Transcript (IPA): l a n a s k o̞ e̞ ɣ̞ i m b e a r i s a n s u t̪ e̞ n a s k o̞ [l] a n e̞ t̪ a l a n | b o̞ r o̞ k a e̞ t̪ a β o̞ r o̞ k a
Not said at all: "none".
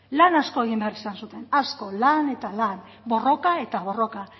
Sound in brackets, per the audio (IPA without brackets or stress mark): l